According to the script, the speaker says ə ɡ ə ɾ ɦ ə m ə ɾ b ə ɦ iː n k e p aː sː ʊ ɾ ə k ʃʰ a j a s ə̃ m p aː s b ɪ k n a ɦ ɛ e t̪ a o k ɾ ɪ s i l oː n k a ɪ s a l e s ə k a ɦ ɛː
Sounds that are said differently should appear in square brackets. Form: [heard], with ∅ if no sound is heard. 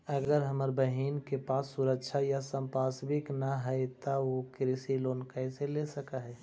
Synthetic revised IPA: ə ɡ ə ɾ ɦ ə m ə ɾ b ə ɦ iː n k e p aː sː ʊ ɾ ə k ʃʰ a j a s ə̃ m p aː s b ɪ k n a ɦ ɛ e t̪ a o k ɾ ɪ s i l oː n k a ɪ s [e] l e s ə k a ɦ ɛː